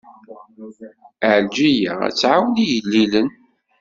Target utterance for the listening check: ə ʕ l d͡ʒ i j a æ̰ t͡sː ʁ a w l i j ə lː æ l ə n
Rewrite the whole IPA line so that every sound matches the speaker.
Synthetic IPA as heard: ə ʕ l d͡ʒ i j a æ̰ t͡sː ʕ a w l i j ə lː i l ə n